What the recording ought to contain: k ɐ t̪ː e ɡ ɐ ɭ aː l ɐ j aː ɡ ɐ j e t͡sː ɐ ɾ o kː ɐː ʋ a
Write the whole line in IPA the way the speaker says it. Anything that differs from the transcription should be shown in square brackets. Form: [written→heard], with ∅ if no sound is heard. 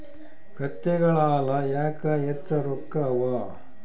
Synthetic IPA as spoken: k ɐ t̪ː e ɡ ɐ ɭ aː l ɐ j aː [ɡ→k] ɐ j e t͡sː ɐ ɾ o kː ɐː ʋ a

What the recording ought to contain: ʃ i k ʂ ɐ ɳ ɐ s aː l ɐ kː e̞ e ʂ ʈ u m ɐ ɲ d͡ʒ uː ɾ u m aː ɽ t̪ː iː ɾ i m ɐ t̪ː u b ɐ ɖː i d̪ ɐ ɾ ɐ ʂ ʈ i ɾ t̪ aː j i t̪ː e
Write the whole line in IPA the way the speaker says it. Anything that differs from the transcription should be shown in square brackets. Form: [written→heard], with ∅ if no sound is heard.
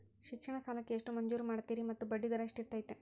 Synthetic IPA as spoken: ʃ i k ʂ ɐ ɳ ɐ s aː l ɐ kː e̞ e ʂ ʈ u m ɐ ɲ d͡ʒ uː ɾ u m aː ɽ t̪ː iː ɾ i m ɐ t̪ː u b ɐ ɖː i d̪ ɐ ɾ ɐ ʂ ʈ i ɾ t̪ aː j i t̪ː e

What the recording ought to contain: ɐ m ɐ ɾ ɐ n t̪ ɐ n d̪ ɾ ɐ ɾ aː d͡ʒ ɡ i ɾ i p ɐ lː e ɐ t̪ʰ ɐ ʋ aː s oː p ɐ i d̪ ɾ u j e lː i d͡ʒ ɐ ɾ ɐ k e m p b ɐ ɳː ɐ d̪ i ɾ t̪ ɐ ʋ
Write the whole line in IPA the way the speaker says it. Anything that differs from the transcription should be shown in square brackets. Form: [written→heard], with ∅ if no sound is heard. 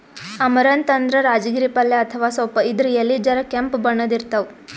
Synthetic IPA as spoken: ɐ m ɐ ɾ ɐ n t̪ ɐ n d̪ ɾ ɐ ɾ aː d͡ʒ ɡ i ɾ i p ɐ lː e ɐ t̪ʰ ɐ ʋ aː s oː p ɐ i d̪ ɾ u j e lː i d͡ʒ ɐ ɾ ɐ k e m p b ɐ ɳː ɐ d̪ i ɾ t̪ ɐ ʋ

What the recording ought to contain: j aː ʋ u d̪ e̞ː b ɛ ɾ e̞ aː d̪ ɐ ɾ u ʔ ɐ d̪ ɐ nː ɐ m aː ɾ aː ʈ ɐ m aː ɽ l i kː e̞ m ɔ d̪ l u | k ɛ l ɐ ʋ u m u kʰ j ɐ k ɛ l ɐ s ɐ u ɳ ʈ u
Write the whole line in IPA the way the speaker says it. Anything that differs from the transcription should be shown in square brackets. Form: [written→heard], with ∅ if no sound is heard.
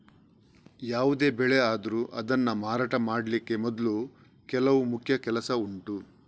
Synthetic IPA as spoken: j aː ʋ u d̪ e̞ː b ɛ [ɾ→ɭ] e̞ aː d̪ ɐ ɾ u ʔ ɐ d̪ ɐ nː ɐ m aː ɾ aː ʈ ɐ m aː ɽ l i kː e̞ m ɔ d̪ l u | k ɛ l ɐ ʋ u m u kʰ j ɐ k ɛ l ɐ s ɐ u ɳ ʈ u

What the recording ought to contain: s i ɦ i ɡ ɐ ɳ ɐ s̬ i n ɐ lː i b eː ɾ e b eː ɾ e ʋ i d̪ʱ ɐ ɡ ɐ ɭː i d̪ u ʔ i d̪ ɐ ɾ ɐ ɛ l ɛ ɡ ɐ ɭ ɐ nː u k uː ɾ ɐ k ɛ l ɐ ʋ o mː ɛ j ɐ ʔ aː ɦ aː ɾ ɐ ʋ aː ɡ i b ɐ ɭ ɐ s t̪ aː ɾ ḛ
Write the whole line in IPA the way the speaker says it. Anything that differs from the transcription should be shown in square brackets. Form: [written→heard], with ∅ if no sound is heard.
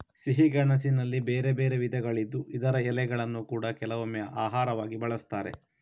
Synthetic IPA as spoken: s i ɦ i ɡ ɐ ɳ ɐ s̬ i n ɐ lː i b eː ɾ e b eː ɾ e ʋ i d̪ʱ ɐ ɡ ɐ [ɭː→ɭ] i [d̪→d̪ː] u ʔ i d̪ ɐ ɾ ɐ ɛ l ɛ ɡ ɐ ɭ ɐ nː u k uː [ɾ→ɽ] ɐ k ɛ l ɐ ʋ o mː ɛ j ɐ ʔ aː ɦ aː ɾ ɐ ʋ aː ɡ i b ɐ ɭ ɐ s t̪ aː ɾ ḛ

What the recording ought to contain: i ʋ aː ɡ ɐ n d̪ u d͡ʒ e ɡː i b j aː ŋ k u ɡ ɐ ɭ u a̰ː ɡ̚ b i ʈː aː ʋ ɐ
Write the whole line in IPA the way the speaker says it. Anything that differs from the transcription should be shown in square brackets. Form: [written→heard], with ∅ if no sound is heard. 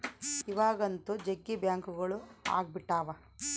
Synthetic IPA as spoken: i ʋ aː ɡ ɐ n [d̪→t̪] u d͡ʒ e ɡː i b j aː ŋ k u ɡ ɐ ɭ u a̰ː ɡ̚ b i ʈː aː ʋ ɐ

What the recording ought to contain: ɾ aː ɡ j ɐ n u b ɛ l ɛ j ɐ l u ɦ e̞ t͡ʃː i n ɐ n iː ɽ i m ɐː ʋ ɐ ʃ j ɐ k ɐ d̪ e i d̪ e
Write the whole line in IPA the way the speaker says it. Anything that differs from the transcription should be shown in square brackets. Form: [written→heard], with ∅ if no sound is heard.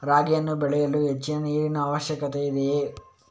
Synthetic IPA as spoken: ɾ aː ɡ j ɐ [n→nː] u b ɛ [l→ɭ] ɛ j ɐ l u ɦ e̞ t͡ʃː i n ɐ n iː [ɽ→ɾ] i [m→n] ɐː ʋ ɐ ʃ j ɐ k ɐ [d̪→t̪] e i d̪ e

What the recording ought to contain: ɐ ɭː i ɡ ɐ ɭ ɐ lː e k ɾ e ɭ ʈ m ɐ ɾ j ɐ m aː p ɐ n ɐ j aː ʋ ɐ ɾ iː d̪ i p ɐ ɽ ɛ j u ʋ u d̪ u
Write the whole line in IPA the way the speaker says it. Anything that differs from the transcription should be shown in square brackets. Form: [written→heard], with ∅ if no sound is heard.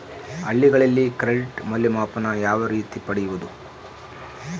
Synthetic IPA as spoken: ɐ ɭː i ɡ ɐ ɭ ɐ lː [e→i] k ɾ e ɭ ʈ m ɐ [ɾ→l] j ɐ m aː p ɐ n ɐ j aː ʋ ɐ ɾ iː [d̪→t̪] i p ɐ ɽ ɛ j u ʋ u d̪ u

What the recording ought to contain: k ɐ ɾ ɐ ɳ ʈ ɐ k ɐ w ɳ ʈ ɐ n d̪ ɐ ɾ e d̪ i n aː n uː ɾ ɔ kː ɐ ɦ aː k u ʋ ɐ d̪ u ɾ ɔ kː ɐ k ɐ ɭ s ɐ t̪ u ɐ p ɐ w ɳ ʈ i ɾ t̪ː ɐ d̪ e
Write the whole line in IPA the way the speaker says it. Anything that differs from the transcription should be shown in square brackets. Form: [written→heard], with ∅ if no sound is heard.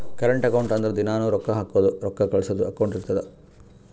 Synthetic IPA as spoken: k ɐ ɾ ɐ ɳ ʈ ɐ k ɐ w ɳ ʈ ɐ n d̪ ɐ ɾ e d̪ i n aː n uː ɾ ɔ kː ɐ ɦ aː k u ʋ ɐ d̪ u ɾ ɔ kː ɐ k ɐ ɭ s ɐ [t̪→d̪] u ɐ [p→k] ɐ w ɳ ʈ i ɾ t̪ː ɐ d̪ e

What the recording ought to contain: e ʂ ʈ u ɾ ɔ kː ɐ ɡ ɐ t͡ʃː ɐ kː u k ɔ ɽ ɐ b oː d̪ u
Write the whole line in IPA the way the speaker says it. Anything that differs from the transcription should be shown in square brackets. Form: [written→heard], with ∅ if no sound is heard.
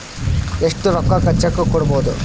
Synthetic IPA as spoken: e ʂ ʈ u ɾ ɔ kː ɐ [ɡ→k] ɐ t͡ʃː ɐ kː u k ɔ ɽ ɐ b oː d̪ u

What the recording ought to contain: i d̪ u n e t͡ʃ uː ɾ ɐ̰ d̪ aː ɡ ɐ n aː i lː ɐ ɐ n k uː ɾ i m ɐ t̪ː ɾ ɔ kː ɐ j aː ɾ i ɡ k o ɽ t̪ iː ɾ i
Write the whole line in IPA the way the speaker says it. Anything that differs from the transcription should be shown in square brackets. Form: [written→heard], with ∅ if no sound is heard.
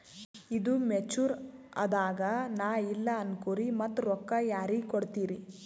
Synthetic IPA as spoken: i d̪ u [n→m] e t͡ʃ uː ɾ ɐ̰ d̪ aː ɡ ɐ n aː i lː ɐ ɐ n k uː ɾ i m ɐ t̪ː ɾ ɔ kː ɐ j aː ɾ i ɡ k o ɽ t̪ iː ɾ i

